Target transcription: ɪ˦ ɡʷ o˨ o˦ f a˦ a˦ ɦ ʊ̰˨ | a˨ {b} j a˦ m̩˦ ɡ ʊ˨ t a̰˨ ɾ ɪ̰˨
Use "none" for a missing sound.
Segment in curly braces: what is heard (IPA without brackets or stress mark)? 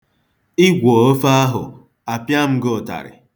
p